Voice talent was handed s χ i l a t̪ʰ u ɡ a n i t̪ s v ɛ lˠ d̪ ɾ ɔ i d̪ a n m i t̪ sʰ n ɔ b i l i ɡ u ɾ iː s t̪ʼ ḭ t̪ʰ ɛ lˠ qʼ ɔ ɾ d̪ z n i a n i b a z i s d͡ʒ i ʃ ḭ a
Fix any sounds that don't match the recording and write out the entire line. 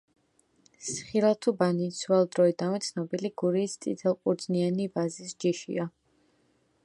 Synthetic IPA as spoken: s χ i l a t̪ʰ u b a n i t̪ s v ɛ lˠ d̪ ɾ ɔ i d̪ a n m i t̪ sʰ n ɔ b i l i ɡ u ɾ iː s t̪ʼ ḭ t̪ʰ ɛ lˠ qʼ u ɾ d̪ z n i a n i b a z i s d͡ʒ i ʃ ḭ a